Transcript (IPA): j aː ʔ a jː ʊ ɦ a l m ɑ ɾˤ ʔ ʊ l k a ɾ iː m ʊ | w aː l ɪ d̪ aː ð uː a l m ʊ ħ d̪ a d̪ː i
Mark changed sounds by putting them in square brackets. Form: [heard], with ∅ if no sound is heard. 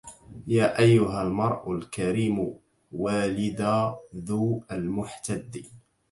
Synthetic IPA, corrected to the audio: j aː ʔ a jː ʊ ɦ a l m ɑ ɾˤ ʔ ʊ l k a ɾ iː m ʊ | w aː l ɪ d̪ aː ð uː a l m ʊ ħ [t̪] a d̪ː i

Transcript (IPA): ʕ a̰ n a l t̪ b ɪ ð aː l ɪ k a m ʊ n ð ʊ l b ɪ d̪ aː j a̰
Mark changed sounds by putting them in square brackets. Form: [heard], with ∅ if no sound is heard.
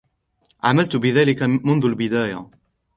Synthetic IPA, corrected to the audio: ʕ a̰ [m] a l t̪ b ɪ ð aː l ɪ k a m ʊ n ð ʊ l b ɪ d̪ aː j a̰

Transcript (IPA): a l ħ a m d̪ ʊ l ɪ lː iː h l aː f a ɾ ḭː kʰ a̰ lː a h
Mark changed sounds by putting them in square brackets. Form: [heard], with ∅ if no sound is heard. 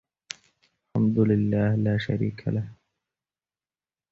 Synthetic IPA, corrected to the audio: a l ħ a m d̪ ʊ l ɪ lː [aː] h l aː [ʃ] a ɾ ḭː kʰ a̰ [l] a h

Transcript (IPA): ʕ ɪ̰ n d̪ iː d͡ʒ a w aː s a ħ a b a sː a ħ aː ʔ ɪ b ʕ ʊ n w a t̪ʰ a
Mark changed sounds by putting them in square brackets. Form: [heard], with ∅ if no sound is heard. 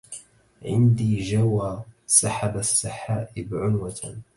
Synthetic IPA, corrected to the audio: ʕ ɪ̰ n d̪ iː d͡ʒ a w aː s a ħ a b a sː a ħ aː ʔ ɪ b ʕ ʊ n w a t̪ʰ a

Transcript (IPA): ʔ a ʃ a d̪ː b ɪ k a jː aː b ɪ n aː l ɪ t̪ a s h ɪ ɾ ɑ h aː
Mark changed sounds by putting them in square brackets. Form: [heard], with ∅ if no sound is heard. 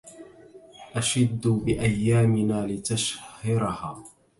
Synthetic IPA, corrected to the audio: ʔ a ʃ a d̪ː b ɪ [ʔ] a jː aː [m] ɪ n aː l ɪ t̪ a [ʃ] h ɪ ɾ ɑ h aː

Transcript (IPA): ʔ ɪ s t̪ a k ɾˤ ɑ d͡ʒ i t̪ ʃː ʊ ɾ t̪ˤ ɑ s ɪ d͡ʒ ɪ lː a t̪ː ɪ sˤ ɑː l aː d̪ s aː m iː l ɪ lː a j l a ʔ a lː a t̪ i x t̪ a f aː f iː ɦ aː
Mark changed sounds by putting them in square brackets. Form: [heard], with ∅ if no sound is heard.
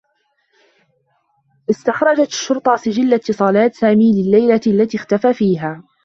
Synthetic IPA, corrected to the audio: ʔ ɪ s t̪ a [x] ɾˤ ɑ d͡ʒ [a] t̪ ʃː ʊ ɾ t̪ˤ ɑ s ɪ d͡ʒ ɪ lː a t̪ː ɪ sˤ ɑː l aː [t̪] s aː m iː l ɪ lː a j l a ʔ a lː a t̪ i x t̪ a f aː f iː ɦ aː

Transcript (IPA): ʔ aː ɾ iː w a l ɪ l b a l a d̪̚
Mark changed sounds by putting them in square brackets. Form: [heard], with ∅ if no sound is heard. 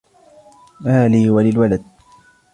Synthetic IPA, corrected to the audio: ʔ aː [l] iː w a l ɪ l [w] a l a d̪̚

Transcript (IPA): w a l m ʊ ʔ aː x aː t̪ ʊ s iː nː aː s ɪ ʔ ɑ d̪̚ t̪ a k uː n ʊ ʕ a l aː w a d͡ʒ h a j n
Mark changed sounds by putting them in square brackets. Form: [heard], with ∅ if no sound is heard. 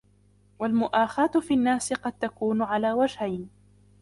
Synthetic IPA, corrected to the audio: w a l m ʊ ʔ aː x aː t̪ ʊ [f] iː nː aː s ɪ [q] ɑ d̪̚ t̪ a k uː n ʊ ʕ a l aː w a d͡ʒ h a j n

